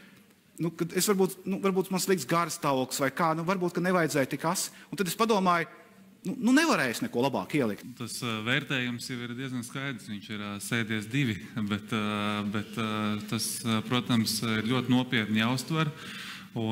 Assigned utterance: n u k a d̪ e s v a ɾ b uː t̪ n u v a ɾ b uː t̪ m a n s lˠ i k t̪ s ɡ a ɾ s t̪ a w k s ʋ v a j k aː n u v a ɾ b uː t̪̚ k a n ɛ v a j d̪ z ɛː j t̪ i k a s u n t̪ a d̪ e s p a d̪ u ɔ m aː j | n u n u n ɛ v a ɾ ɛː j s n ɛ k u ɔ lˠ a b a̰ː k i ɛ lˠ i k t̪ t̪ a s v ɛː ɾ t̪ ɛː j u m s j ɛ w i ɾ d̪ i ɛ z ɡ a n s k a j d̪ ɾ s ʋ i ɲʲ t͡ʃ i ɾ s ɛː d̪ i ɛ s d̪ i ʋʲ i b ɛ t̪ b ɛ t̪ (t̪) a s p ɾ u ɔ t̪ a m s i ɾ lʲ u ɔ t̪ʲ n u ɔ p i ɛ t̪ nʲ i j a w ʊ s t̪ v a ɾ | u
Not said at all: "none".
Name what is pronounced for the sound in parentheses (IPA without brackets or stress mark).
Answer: t̪